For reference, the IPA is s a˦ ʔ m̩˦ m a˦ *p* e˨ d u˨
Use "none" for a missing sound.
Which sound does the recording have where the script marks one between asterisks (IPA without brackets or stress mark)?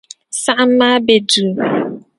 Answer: b